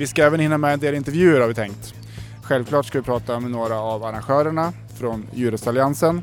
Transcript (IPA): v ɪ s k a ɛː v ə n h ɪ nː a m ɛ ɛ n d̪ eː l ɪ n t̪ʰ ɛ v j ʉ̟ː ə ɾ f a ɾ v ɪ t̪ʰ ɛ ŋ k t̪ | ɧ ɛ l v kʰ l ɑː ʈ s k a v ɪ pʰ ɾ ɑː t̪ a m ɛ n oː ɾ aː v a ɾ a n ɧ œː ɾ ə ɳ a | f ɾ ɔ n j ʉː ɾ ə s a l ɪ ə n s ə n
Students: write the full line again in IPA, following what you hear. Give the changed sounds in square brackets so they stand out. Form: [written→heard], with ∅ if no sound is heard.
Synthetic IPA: v ɪ s k a ɛː v ə n h ɪ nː a m ɛ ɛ n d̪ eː l ɪ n [t̪ʰ→t̪] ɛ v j ʉ̟ː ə ɾ [f→h] a ɾ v ɪ t̪ʰ ɛ ŋ k t̪ | ɧ ɛ l v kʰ l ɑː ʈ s k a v ɪ pʰ ɾ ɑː t̪ a m ɛ n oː ɾ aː v a ɾ a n ɧ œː ɾ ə ɳ a | f ɾ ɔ n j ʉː ɾ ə s a l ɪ [ə→a] n s ə n